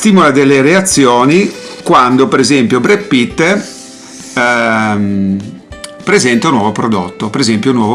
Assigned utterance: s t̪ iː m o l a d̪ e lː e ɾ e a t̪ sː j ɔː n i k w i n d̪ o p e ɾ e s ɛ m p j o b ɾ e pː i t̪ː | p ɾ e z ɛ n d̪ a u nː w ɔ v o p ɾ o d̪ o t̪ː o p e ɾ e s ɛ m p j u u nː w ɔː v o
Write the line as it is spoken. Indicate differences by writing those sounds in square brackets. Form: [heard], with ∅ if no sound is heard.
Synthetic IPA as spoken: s t̪ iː m o l a d̪ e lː e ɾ e a t̪ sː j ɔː n i k w [a] n d̪ o p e ɾ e [z] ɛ m p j o b ɾ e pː i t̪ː | p ɾ e z ɛ n [t̪] a u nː w ɔ v o p ɾ o d̪ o t̪ː o p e ɾ e [z] ɛ m p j [o] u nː w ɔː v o

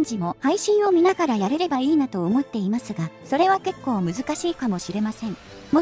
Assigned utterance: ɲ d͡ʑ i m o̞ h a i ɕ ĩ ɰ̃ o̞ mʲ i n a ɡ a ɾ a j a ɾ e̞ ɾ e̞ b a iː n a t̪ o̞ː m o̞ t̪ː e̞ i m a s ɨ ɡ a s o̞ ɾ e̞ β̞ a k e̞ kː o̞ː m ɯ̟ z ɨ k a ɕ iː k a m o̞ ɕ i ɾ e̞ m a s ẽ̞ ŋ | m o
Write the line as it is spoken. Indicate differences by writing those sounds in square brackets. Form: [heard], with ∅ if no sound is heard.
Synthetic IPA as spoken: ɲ d͡ʑ i m o̞ h a i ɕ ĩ ɰ̃ o̞ mʲ i n a ɡ a ɾ a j a ɾ e̞ ɾ e̞ b a iː n a t̪ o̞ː m o̞ t̪ː e̞ i m a s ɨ ɡ a s o̞ ɾ e̞ β̞ a k e̞ kː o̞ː m ɯ̟ z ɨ k a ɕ iː k a m o̞ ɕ i ɾ e̞ m a s ẽ̞ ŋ | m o

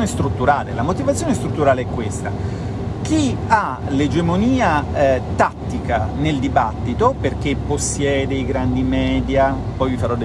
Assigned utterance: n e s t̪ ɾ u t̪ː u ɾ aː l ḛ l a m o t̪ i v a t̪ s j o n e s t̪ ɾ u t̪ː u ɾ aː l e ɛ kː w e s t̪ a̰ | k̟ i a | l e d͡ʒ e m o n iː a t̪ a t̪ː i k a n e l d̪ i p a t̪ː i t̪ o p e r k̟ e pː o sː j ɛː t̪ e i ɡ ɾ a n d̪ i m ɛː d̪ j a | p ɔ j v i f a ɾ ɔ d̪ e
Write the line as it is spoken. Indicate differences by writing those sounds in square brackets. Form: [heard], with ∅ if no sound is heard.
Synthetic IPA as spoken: n e s t̪ ɾ u t̪ː u ɾ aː l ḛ l a m o t̪ i v a t̪ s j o n e s t̪ ɾ u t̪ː u ɾ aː l e ɛ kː w e s t̪ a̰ | k̟ i a | l e d͡ʒ e m o n iː a t̪ a t̪ː i k a n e l d̪ i [b] a t̪ː i t̪ o p e r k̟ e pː o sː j ɛː [d̪] e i ɡ ɾ a n d̪ i m ɛː d̪ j a | p ɔ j v i f a ɾ ɔ d̪ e

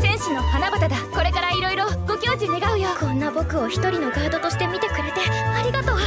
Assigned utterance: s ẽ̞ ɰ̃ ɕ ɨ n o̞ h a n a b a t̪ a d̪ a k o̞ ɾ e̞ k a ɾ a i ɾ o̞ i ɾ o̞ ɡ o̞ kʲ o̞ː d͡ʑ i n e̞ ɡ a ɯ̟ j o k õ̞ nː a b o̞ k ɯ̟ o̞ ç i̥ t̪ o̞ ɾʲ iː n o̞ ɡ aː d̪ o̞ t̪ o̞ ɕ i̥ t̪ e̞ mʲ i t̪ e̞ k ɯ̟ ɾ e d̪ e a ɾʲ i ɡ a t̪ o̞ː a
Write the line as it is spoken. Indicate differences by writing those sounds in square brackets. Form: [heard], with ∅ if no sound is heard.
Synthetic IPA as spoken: s ẽ̞ ɰ̃ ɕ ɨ n o̞ h a n a b a t̪ a d̪ a k o̞ ɾ e̞ k a ɾ a i ɾ o̞ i ɾ o̞ ɡ o̞ kʲ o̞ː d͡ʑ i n e̞ ɡ a ɯ̟ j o k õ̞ nː a b o̞ k ɯ̟ o̞ ç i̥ t̪ o̞ ɾʲ [i] n o̞ ɡ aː d̪ o̞ t̪ o̞ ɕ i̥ t̪ e̞ mʲ i t̪ e̞ k ɯ̟ ɾ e [t̪] e a ɾʲ i ɡ a t̪ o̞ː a

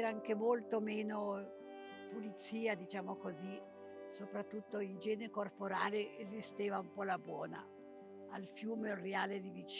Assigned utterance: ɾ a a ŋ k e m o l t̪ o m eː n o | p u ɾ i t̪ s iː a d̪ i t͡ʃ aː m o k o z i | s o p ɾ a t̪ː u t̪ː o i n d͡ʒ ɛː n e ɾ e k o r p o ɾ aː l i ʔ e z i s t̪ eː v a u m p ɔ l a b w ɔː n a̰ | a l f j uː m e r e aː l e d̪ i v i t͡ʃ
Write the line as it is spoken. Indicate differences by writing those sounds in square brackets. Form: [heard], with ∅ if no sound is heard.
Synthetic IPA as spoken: ɾ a a ŋ k e m o l t̪ o m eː n o | p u [l] i t̪ s iː a d̪ i t͡ʃ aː m o k o z i | s o p ɾ a t̪ː u t̪ː o i n d͡ʒ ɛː n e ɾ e k o r p o ɾ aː l [e] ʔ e z i s t̪ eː v a u m p ɔ l a b w ɔː n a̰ | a l f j uː m e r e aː l e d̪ i v i t͡ʃ

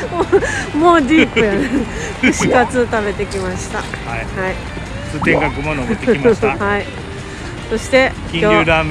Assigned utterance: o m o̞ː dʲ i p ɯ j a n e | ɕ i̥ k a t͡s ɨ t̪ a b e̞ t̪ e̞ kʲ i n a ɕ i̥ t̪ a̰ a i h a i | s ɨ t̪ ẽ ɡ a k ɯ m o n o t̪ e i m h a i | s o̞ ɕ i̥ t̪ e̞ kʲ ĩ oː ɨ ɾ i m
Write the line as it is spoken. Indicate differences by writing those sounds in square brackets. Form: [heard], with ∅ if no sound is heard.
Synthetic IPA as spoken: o m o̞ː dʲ i p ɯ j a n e | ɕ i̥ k a t͡s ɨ t̪ a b e̞ t̪ e̞ kʲ i [m] a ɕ i̥ t̪ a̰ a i h a i | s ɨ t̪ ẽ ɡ a k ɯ m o n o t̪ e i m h a i | s o̞ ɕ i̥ t̪ e̞ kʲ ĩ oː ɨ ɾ [a] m

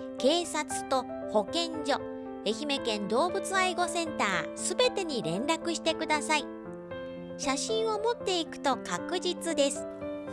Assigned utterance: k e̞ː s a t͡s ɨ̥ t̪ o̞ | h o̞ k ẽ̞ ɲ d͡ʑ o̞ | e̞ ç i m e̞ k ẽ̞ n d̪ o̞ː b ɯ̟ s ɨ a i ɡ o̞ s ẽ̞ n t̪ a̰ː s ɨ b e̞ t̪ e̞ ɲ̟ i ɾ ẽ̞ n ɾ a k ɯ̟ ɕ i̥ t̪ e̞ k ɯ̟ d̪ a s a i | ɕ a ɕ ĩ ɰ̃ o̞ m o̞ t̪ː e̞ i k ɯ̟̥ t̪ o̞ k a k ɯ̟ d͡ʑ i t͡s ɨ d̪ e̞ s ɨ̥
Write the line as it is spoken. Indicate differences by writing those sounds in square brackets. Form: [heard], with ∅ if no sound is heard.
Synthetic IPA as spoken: k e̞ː s a t͡s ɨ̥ t̪ o̞ | h o̞ k ẽ̞ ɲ d͡ʑ o̞ | e̞ ç i m e̞ k ẽ̞ n d̪ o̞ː b ɯ̟ [t͡s] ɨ a i ɡ o̞ s ẽ̞ n t̪ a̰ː s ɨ b e̞ t̪ e̞ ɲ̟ i ɾ ẽ̞ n ɾ a k ɯ̟ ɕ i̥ t̪ e̞ k ɯ̟ d̪ a s a i | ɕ a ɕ ĩ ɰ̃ o̞ m o̞ t̪ː e̞ i k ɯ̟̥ t̪ o̞ k a k ɯ̟ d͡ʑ i t͡s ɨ d̪ e̞ s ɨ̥

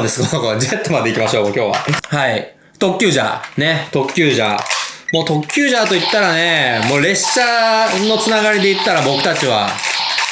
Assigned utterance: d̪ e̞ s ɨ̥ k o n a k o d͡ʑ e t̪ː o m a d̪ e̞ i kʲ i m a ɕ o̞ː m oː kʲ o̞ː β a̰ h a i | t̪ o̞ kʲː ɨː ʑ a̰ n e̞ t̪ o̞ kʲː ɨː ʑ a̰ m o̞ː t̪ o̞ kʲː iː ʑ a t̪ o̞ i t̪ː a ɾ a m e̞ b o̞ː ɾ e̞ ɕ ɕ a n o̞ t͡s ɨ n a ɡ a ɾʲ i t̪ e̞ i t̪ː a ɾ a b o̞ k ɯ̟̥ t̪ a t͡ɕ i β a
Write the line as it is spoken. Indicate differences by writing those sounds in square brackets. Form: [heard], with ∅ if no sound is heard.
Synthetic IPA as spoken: d̪ e̞ s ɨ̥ k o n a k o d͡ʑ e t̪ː o m a d̪ e̞ i kʲ i m a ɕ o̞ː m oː kʲ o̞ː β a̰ h a i | t̪ o̞ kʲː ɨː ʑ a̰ n e̞ t̪ o̞ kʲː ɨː ʑ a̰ m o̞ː t̪ o̞ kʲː [ɨː] ʑ a t̪ o̞ i t̪ː a ɾ a [n] e̞ [m] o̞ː ɾ e̞ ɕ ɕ a n o̞ t͡s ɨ n a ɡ a ɾʲ i [d̪] e̞ i t̪ː a ɾ a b o̞ k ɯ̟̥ t̪ a t͡ɕ i β a

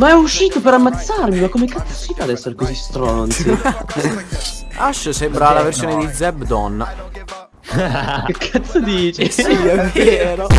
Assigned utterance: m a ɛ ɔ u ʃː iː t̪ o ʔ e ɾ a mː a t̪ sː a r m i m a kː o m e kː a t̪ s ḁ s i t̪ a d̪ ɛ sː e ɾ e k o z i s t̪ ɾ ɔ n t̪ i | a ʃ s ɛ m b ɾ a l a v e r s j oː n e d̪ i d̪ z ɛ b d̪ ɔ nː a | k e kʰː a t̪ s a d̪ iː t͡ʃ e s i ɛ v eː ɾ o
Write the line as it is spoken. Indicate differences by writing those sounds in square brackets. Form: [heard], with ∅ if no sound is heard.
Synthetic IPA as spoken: m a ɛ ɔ u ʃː iː t̪ o [p] e ɾ a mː a t̪ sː a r m i m a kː o m e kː a t̪ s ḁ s i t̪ a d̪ ɛ sː e ɾ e k o z i s t̪ ɾ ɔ n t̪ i | a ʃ s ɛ m b ɾ a l a v e r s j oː n e d̪ i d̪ z ɛ b d̪ ɔ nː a | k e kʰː a t̪ s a d̪ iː t͡ʃ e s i ɛ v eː ɾ o

